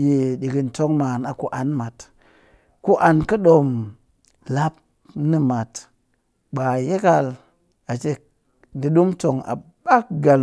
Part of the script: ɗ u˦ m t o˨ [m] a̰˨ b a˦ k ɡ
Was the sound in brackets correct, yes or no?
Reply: no